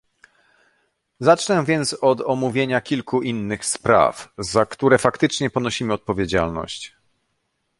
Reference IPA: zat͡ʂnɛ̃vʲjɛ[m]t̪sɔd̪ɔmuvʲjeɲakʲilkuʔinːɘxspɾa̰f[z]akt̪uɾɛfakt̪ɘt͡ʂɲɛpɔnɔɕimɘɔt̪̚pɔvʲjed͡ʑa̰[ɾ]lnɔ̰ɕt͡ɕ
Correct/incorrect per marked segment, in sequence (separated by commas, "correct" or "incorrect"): incorrect, correct, incorrect